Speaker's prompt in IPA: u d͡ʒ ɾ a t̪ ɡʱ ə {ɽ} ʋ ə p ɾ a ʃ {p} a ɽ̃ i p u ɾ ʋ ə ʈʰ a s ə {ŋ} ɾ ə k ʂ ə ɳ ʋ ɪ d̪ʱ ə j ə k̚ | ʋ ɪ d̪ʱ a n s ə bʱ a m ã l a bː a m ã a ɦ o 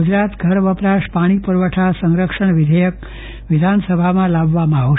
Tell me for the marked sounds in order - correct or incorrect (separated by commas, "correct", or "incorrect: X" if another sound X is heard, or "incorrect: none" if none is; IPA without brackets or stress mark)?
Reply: incorrect: ɾ, correct, correct